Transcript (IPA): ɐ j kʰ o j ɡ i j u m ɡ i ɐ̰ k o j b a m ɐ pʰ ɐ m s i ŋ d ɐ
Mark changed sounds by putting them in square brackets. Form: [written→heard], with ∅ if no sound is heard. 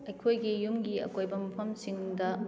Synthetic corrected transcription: ɐ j kʰ o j ɡ i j u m ɡ i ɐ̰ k o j b [a→ɐ] m ɐ pʰ ɐ m s i ŋ d ɐ